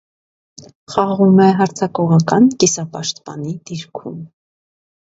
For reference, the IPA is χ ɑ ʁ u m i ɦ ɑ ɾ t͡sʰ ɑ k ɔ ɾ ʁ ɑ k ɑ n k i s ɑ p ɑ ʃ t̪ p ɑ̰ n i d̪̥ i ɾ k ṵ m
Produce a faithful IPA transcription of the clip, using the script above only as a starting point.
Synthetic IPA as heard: χ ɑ ʁ u m ɛ ɦ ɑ ɾ t͡sʰ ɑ k ɔ ʁ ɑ k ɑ n k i s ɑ p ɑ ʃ t̪ p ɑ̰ n i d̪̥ i ɾ kʰ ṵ m